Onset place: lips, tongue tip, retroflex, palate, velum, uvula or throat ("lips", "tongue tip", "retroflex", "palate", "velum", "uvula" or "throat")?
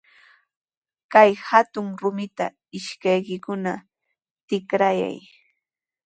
velum